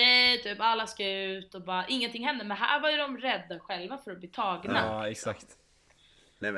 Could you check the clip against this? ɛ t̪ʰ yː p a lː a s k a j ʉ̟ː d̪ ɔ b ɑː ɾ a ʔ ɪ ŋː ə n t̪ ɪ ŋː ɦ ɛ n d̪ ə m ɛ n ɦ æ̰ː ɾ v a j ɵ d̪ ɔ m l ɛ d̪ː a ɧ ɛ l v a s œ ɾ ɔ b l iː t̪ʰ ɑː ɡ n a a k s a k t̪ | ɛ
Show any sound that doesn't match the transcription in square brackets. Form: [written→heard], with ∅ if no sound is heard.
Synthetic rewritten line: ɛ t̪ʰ yː p a lː a s k a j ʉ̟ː [d̪→t̪] ɔ b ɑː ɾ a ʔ ɪ ŋː ə n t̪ ɪ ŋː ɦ ɛ n d̪ ə m ɛ n ɦ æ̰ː ɾ v a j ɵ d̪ ɔ m [l→ɾ] ɛ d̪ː a ɧ ɛ l v a [s→f] œ ɾ ɔ b l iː t̪ʰ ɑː ɡ n a [a→ɛ] k s a k t̪ | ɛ